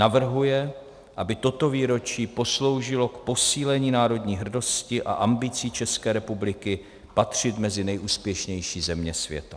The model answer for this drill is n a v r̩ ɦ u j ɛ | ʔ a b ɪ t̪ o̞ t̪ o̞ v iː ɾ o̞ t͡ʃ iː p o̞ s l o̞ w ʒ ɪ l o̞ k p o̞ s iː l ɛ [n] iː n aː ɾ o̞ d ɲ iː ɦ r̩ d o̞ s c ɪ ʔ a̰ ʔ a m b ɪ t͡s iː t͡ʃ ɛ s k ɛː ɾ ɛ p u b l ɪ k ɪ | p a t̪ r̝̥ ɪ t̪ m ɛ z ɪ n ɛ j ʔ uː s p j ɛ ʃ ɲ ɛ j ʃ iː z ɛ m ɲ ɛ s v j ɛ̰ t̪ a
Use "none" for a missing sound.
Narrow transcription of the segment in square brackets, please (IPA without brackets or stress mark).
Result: ɲ